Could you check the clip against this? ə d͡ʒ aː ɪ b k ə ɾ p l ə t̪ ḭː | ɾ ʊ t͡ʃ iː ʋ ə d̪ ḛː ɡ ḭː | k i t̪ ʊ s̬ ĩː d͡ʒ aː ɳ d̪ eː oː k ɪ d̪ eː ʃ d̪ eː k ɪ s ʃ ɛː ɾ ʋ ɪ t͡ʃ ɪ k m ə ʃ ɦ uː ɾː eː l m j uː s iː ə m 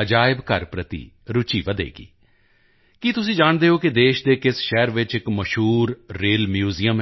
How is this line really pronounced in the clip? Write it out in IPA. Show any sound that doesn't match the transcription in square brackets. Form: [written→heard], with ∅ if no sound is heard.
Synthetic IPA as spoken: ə d͡ʒ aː ɪ b k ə ɾ p [l→ɾ] ə t̪ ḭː | ɾ ʊ t͡ʃ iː ʋ ə d̪ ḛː ɡ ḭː | k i t̪ ʊ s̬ ĩː d͡ʒ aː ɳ d̪ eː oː k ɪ d̪ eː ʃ d̪ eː k ɪ s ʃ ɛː ɾ ʋ ɪ t͡ʃ ɪ k m ə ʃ ɦ uː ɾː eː l m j uː [s→z] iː ə m